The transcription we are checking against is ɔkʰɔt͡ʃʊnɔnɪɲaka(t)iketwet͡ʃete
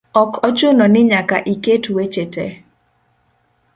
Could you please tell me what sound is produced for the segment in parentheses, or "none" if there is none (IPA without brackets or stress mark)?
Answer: ʔ